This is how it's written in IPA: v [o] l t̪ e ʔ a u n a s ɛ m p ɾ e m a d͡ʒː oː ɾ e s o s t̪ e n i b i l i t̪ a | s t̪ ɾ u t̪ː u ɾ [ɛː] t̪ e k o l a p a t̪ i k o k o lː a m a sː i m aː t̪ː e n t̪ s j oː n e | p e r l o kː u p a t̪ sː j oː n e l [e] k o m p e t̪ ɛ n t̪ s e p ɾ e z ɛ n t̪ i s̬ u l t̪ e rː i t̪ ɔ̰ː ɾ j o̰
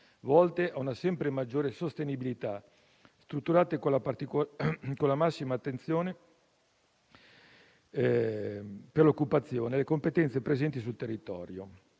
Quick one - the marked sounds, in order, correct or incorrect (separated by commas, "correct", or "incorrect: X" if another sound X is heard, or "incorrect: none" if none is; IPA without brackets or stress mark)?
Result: incorrect: ɔ, incorrect: aː, correct